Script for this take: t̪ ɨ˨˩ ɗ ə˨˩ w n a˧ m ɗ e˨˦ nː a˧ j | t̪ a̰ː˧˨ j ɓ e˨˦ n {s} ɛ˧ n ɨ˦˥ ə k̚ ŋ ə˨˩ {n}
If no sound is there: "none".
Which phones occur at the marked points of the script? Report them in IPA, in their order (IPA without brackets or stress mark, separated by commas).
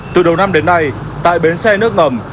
s, m